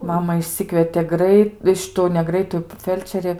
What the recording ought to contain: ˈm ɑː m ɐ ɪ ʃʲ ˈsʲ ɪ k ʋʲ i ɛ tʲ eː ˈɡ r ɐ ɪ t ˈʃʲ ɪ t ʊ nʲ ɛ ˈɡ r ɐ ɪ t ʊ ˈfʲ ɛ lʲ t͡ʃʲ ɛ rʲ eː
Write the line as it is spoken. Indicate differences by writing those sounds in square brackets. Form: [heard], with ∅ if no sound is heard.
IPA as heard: ˈm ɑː m ɐ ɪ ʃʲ ˈsʲ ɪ k ʋʲ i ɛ tʲ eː ˈɡ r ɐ ɪ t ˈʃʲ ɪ t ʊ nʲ ɛ ˈɡ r ɐ ɪ t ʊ ˈfʲ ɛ lʲ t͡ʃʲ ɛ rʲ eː